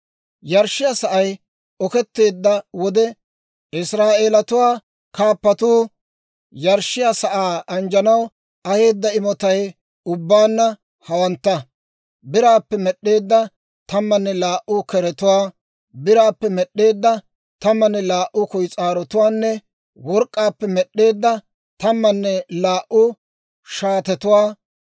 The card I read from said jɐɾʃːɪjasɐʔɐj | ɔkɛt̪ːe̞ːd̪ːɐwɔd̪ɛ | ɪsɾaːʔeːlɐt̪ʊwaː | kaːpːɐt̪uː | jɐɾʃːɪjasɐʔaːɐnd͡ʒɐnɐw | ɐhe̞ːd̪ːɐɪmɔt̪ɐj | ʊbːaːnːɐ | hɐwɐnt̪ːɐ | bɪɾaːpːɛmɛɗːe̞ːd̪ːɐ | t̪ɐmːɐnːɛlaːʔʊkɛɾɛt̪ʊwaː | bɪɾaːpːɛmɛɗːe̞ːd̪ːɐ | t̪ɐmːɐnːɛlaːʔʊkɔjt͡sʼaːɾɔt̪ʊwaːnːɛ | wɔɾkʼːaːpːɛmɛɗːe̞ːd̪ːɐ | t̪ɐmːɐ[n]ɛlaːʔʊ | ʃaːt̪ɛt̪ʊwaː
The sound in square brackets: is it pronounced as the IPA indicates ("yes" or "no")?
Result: no